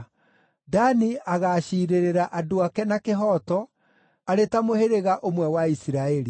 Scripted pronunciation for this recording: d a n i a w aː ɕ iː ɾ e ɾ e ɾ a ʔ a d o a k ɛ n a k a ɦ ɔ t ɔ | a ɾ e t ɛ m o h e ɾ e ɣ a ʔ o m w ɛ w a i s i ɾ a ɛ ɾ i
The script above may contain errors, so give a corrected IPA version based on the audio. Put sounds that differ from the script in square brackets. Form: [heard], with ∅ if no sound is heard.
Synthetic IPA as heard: d a n i a [ɣ] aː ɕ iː ɾ e ɾ e ɾ a ʔ a d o a k ɛ n a k [e] ɦ ɔ t ɔ | a ɾ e t [a] m o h e ɾ e ɣ a ʔ o m w ɛ w a i s i ɾ a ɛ ɾ i